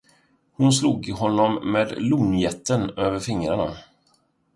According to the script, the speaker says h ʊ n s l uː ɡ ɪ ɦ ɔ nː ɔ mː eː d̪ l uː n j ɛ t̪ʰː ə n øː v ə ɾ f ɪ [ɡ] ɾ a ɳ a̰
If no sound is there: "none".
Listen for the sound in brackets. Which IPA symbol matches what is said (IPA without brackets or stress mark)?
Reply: ŋ